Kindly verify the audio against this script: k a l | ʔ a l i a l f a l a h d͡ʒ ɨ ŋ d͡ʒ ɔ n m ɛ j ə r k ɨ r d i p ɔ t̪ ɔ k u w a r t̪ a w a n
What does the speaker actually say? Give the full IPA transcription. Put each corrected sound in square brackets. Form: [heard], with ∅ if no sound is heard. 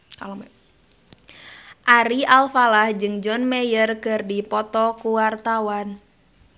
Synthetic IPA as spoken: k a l | ʔ a [ɾ] i a l f a l a h d͡ʒ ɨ ŋ d͡ʒ ɔ n m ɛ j ə r k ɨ r d i p ɔ t̪ ɔ k u w a r t̪ a w a n